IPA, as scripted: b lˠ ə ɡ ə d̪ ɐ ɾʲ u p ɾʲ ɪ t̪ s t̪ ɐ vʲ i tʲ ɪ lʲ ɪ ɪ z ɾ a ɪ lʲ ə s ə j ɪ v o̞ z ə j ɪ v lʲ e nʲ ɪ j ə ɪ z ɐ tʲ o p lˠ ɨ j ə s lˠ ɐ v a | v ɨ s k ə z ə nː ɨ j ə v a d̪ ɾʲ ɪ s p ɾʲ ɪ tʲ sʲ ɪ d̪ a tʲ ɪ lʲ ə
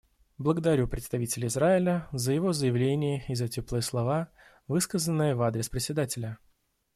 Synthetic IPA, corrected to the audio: b lˠ ə ɡ ə d̪ ɐ ɾʲ u p ɾʲ ɪ t̪ s t̪ ɐ vʲ i tʲ ɪ lʲ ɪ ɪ z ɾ a ɪ lʲ ə z ə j ɪ v o̞ z ə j ɪ v lʲ e nʲ ɪ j ə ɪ z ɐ tʲ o p lˠ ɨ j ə s lˠ ɐ v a | v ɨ s k ə z ə nː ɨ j ə v a d̪ ɾʲ ɪ s p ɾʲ ɪ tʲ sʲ ɪ d̪ a tʲ ɪ lʲ ə